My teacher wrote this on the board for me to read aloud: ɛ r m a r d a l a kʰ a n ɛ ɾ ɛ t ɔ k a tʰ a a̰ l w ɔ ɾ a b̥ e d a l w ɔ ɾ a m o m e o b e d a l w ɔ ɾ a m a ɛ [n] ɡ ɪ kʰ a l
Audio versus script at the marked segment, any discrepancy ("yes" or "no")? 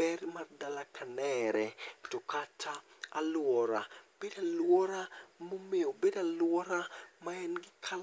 no